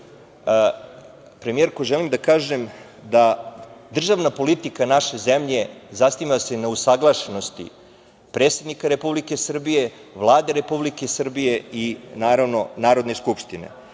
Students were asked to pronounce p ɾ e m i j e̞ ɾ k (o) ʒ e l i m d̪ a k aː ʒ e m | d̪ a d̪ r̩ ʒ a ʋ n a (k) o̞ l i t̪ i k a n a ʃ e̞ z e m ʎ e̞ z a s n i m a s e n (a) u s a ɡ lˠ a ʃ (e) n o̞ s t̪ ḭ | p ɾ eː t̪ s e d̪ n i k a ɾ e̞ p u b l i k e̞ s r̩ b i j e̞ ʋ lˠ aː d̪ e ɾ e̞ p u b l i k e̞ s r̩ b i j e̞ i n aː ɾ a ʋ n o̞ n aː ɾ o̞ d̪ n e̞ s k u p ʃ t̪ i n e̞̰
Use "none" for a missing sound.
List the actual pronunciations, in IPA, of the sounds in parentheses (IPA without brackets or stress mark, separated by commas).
o, p, a, e